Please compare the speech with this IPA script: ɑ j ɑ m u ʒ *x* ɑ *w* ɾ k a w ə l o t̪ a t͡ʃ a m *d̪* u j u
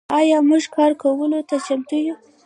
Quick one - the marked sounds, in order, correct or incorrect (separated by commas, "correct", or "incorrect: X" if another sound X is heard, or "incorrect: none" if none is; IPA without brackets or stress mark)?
incorrect: k, incorrect: none, incorrect: t̪